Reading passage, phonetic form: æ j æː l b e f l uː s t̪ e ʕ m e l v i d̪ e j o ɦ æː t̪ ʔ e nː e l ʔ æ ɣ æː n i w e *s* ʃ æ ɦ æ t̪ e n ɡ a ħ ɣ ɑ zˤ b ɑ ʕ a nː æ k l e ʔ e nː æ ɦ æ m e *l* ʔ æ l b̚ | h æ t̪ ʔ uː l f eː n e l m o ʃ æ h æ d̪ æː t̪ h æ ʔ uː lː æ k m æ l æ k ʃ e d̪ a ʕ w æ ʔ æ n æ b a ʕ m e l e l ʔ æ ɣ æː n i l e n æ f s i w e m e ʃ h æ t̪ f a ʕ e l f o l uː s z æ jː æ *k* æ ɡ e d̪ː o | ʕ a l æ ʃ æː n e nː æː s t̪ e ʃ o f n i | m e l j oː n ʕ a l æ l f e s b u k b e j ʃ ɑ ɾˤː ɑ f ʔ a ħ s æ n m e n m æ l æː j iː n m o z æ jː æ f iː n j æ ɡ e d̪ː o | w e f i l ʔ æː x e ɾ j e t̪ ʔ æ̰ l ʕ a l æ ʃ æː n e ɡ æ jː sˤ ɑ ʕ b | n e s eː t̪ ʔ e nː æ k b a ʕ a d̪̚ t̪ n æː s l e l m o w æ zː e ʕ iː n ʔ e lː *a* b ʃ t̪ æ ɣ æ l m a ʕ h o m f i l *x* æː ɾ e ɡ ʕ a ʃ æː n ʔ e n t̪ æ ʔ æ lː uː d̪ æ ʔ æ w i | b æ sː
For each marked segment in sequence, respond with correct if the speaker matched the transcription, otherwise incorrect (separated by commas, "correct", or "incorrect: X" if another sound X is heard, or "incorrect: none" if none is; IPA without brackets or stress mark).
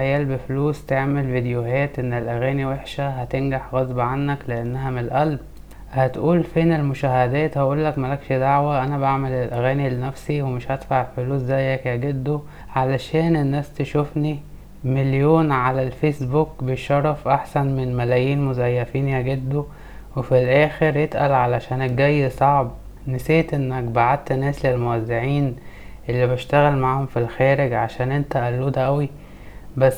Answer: incorrect: ħ, correct, correct, incorrect: i, correct